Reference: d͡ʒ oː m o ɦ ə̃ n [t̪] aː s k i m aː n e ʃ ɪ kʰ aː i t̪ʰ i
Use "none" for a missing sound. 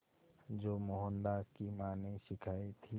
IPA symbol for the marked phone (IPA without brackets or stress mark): d̪